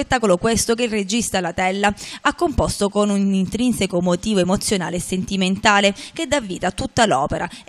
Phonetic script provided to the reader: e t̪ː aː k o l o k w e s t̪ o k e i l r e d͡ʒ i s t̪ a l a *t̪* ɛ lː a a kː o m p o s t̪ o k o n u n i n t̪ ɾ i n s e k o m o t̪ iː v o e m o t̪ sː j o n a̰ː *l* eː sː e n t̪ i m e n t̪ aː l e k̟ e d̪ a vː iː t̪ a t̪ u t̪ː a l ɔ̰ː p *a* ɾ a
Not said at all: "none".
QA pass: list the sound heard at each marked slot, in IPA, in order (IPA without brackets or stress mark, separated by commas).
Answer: t̪, l, e